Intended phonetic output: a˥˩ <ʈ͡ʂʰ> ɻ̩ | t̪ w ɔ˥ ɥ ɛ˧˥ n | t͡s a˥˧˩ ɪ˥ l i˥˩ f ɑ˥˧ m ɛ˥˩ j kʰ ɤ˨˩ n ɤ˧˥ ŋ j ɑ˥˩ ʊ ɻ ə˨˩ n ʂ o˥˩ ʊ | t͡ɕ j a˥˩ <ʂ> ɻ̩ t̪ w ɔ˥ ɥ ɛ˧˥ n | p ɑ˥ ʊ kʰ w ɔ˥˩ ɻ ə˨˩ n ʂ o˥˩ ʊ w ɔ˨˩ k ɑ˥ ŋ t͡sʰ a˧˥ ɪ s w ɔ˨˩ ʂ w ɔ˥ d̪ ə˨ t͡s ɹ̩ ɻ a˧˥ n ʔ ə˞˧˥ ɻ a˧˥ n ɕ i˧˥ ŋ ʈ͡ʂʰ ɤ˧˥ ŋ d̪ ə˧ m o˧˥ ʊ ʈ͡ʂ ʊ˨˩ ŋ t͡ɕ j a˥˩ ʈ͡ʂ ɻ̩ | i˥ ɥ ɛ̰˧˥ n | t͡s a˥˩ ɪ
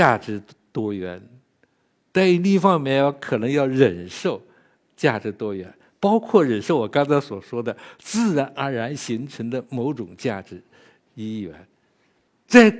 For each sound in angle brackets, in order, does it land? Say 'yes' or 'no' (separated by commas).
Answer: no, no